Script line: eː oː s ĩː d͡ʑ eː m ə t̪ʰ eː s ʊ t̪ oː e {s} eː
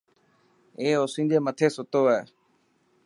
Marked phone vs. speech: incorrect: none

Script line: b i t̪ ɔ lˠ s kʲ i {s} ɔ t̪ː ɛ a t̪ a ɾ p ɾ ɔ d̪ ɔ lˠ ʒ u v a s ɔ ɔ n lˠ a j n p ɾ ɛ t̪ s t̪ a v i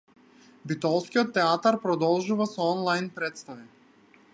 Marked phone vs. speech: incorrect: none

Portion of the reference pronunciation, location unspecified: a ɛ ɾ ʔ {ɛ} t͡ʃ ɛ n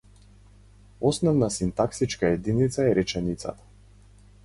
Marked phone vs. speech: correct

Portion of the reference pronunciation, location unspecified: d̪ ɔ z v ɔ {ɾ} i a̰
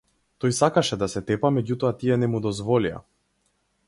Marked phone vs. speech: incorrect: l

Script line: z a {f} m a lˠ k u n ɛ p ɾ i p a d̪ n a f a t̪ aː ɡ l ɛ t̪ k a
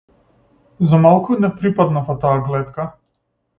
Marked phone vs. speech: incorrect: none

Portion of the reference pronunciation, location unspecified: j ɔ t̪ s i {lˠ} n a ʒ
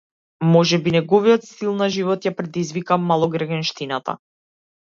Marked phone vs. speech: correct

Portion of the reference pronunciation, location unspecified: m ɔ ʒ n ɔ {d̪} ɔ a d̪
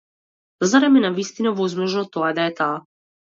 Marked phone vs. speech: incorrect: t̪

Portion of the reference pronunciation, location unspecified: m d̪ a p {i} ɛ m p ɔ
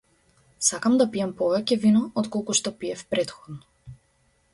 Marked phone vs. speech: correct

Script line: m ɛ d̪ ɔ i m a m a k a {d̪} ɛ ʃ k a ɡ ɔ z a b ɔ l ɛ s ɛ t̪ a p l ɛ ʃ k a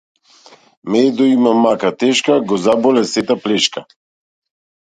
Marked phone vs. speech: incorrect: t̪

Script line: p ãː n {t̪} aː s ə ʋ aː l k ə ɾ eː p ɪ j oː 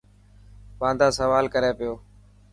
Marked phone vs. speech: incorrect: d̪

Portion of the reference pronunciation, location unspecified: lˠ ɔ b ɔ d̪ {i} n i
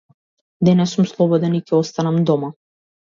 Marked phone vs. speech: incorrect: ɛ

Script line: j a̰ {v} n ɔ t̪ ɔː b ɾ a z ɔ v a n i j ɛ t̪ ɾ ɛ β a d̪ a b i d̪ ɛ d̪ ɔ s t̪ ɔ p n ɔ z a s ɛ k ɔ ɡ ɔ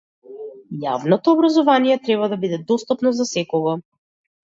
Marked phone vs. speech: correct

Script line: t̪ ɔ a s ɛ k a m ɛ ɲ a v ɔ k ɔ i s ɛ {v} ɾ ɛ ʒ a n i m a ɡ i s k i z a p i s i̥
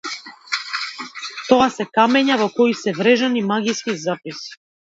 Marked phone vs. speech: correct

